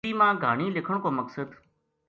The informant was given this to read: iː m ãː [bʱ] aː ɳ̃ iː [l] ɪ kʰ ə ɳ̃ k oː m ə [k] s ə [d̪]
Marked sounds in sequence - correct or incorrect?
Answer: incorrect: ɡʱ, correct, correct, correct

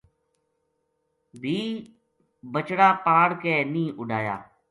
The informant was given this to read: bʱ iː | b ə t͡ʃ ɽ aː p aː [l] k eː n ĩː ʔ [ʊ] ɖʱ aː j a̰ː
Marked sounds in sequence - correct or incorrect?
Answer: incorrect: ɽ, correct

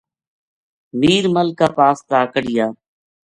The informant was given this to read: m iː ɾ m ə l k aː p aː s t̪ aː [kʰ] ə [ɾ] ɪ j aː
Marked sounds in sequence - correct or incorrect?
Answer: incorrect: k, incorrect: ɽ

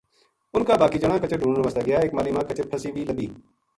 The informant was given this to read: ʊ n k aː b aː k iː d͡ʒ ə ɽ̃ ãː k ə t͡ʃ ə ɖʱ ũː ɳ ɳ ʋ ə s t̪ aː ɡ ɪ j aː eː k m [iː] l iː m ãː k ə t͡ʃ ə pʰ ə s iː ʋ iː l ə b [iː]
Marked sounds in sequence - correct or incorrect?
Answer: incorrect: aː, correct

